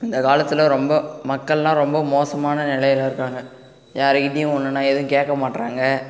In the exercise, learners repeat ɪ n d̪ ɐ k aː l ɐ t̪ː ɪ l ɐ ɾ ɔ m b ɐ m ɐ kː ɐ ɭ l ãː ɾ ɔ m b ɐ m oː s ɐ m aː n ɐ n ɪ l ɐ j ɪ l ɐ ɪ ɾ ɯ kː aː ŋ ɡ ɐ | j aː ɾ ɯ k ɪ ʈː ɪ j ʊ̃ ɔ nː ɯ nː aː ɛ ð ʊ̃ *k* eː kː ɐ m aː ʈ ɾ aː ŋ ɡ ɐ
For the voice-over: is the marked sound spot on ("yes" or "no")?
yes